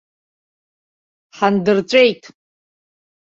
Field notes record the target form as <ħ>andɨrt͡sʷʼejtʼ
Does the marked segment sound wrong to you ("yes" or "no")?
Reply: no